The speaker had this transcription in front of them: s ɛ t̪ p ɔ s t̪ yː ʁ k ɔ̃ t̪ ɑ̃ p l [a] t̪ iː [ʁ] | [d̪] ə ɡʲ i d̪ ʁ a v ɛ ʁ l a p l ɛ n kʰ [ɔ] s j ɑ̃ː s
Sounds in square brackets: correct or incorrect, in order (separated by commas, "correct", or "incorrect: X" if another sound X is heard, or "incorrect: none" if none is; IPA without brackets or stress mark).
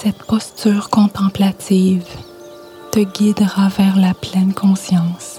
correct, incorrect: v, incorrect: t̪, incorrect: ɔ̃